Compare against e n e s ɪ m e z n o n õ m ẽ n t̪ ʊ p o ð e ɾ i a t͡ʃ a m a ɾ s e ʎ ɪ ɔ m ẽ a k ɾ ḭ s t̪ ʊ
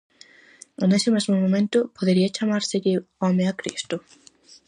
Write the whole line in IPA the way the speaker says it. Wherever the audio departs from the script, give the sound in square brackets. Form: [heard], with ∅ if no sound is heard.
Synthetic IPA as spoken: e n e s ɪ m e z [m] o [m] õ m ẽ n t̪ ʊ p o ð e ɾ i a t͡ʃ a m a ɾ s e ʎ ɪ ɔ m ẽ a k ɾ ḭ s t̪ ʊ